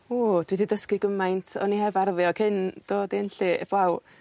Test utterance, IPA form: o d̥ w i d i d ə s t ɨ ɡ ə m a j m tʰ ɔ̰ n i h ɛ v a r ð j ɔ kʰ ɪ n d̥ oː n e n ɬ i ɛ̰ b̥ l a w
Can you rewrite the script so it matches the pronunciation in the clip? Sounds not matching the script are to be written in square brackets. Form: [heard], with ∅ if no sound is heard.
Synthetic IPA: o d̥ w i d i d ə s [k] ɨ ɡ ə m a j [n] tʰ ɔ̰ n i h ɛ v a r ð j ɔ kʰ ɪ n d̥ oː [d] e n ɬ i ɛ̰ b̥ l a w